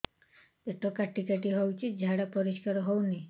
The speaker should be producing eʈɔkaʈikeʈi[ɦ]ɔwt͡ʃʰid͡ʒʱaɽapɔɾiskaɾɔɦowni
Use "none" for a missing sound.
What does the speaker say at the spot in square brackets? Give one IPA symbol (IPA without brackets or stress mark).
ɦ